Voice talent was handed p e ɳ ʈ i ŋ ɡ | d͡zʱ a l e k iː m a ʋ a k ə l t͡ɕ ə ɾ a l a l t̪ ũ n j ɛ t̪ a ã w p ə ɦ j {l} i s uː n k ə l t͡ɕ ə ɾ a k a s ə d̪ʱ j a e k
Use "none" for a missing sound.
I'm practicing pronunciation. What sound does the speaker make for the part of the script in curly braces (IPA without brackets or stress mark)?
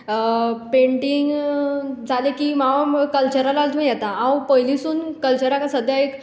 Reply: l